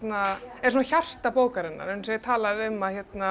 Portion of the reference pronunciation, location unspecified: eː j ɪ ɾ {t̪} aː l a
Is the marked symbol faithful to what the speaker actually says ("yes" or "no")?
no